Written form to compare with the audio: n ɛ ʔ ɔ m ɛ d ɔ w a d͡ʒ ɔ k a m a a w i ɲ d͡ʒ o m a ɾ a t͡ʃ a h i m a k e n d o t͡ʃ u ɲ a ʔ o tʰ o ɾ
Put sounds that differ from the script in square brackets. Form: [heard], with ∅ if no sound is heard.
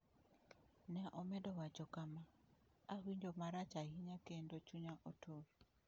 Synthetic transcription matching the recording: n ɛ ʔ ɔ m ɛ d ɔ w a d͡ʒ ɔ k a m a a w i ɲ d͡ʒ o m a ɾ a t͡ʃ a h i [ɲ] a k e n d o t͡ʃ u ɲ a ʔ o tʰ o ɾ